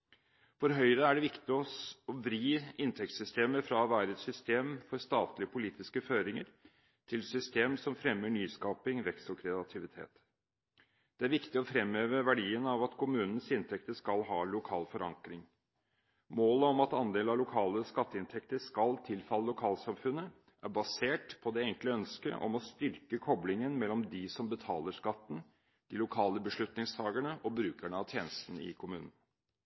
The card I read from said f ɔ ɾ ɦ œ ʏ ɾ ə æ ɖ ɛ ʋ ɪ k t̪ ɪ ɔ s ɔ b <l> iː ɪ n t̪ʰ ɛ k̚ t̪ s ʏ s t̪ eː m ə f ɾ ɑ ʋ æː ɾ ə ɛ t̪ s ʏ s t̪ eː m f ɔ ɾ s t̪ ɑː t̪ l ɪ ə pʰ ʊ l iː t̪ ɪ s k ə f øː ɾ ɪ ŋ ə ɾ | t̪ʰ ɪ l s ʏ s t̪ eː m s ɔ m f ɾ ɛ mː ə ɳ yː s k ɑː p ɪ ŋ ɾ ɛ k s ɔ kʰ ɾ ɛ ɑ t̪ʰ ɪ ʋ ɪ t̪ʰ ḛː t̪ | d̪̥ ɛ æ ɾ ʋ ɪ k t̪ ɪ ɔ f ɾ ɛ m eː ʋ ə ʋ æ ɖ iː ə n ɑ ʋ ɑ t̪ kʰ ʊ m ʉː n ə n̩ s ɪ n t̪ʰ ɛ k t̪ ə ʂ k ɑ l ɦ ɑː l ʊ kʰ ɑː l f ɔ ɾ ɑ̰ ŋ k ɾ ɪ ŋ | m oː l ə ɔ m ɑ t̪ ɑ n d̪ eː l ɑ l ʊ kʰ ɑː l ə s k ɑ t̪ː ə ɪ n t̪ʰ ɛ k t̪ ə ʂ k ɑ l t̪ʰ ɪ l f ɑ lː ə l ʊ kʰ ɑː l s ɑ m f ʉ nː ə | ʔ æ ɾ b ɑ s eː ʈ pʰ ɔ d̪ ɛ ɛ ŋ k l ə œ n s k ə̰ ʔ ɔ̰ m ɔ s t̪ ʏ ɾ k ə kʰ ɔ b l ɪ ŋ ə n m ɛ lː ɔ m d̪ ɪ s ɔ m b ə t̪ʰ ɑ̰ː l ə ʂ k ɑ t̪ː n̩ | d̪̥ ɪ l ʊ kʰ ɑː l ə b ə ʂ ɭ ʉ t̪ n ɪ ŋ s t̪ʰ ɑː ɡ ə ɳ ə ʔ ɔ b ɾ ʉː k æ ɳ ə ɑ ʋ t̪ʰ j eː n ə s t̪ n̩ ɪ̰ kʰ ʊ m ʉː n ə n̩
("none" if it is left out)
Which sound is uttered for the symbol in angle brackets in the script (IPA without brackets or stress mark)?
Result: ɾ